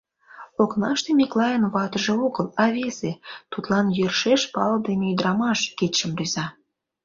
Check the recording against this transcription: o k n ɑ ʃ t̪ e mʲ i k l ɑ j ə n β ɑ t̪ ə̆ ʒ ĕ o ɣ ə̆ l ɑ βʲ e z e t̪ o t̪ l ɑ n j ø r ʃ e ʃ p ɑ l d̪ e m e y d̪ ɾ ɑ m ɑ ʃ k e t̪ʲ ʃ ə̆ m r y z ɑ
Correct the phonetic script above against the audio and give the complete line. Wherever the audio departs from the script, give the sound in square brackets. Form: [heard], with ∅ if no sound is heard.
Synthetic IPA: o k n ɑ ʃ t̪ e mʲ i k l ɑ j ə n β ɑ t̪ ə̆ ʒ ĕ o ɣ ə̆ l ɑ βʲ e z e t̪ [u] t̪ l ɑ n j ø r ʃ e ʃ p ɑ l d̪ e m e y d̪ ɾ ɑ m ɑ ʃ k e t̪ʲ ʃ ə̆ m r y z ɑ